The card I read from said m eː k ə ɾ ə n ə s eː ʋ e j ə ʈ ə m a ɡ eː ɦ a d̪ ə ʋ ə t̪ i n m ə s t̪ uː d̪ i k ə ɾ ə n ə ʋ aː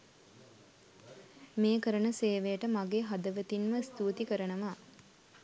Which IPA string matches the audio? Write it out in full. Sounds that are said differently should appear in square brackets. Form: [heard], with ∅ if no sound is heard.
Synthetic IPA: m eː k ə ɾ ə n ə s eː ʋ e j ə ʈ ə m a ɡ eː ɦ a d̪ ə ʋ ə t̪ i n m ə s t̪ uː [t̪] i k ə ɾ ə n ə ʋ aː

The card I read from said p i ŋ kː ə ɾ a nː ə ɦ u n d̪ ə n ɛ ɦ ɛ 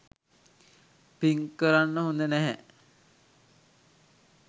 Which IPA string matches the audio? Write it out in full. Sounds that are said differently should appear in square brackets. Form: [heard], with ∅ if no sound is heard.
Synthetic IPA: p i ŋ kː ə ɾ a nː ə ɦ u n d̪ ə n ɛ ɦ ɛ

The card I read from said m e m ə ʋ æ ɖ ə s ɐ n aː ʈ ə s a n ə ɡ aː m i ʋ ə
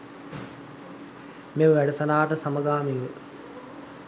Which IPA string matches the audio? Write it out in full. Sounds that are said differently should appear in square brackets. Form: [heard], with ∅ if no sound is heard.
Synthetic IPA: m e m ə ʋ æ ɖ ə s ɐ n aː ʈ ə s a [m] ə ɡ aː m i ʋ ə

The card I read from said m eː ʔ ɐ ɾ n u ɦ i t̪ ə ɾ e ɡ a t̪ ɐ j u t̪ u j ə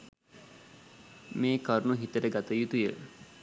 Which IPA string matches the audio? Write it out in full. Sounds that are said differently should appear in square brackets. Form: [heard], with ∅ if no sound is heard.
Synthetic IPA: m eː [k] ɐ ɾ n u ɦ i t̪ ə ɾ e ɡ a t̪ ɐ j u t̪ u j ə

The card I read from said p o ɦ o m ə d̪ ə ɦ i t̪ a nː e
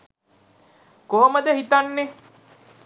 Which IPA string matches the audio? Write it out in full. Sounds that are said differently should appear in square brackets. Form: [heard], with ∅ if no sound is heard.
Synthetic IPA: [k] o ɦ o m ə d̪ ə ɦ i t̪ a nː e

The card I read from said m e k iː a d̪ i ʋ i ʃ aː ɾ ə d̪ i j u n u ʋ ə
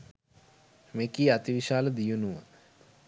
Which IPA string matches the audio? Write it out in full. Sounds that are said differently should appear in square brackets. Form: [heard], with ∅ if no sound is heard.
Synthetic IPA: m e k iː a [t̪] i ʋ i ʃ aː [l] ə d̪ i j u n u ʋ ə

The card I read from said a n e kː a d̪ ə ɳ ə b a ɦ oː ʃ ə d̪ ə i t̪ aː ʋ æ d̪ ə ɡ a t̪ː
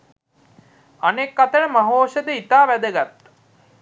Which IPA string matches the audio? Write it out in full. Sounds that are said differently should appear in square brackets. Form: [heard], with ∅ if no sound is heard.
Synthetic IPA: a n e kː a [t̪] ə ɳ ə [m] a ɦ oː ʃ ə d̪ ə i t̪ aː ʋ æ d̪ ə ɡ a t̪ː

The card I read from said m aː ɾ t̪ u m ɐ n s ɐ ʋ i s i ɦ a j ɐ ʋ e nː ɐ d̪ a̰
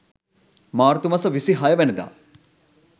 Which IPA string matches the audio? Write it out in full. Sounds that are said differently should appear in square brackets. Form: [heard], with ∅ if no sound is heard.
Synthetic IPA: m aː ɾ t̪ u m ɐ [∅] s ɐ ʋ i s i ɦ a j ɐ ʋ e [n] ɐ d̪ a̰

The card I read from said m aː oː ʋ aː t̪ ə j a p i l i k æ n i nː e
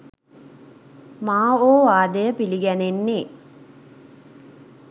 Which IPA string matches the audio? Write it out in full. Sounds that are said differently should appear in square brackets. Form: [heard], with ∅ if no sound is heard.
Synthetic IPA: m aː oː ʋ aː [d̪] ə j [ə] p i l i [ɡ] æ n [e] nː e

